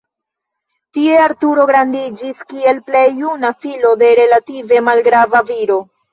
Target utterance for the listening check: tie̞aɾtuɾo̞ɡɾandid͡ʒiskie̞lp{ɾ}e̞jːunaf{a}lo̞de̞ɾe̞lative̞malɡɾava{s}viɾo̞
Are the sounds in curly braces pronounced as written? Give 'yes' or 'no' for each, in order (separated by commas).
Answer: no, no, no